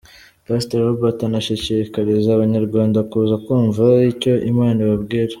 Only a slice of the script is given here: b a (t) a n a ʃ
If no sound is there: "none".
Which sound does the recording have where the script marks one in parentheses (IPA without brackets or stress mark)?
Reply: t